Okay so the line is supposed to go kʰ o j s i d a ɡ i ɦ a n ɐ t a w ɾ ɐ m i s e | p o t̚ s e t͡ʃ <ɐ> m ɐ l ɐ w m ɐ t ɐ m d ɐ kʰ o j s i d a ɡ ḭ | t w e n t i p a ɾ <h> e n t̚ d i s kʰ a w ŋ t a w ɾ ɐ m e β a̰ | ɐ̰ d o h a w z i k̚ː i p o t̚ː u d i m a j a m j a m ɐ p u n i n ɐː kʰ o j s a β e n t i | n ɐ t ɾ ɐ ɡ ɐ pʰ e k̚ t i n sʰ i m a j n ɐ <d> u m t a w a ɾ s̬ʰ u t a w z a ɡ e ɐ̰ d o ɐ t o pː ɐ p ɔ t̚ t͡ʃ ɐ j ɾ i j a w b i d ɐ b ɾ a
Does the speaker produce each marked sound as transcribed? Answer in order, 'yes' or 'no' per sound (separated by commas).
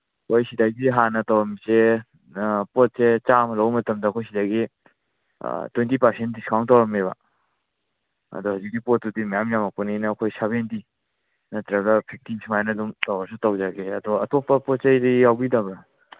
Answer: no, no, yes